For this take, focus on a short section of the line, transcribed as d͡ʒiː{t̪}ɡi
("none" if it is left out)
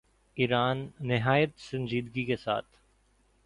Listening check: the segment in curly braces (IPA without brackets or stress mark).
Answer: d̪